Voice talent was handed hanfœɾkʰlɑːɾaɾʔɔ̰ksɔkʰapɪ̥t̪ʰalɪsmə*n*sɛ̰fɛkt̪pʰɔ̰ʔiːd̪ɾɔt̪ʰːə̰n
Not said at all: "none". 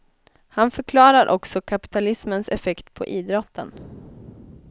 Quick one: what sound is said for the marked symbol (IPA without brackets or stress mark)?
n